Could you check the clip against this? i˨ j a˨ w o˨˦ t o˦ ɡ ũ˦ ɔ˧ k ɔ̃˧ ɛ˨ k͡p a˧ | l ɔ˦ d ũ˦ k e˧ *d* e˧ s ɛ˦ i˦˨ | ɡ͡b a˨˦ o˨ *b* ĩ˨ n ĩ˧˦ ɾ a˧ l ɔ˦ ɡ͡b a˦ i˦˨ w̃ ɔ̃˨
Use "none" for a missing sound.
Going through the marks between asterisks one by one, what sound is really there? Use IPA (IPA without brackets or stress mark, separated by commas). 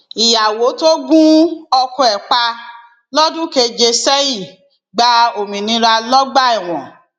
d͡ʒ, m